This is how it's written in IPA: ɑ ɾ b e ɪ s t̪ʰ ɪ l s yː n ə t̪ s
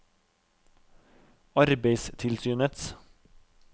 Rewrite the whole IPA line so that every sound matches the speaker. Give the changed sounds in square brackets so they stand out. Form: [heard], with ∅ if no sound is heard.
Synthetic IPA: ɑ ɾ b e ɪ s t̪ʰ ɪ l s yː n ə t̪ s